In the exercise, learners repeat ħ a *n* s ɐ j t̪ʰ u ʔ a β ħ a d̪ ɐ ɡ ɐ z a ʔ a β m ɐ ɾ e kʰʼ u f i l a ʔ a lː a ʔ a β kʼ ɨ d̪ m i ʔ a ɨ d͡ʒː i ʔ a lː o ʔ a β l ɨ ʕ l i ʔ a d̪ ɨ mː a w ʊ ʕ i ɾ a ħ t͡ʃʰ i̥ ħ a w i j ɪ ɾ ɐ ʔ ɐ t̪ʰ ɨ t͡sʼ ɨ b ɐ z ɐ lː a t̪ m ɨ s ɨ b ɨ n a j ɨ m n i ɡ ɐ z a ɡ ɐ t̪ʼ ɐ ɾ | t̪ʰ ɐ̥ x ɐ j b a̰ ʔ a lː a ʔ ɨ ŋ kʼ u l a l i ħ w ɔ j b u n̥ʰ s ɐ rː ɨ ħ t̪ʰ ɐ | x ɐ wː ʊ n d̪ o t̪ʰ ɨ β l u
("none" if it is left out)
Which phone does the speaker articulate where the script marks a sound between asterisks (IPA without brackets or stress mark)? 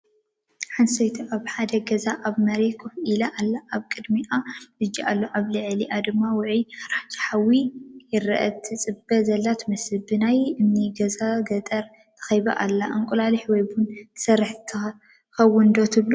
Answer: n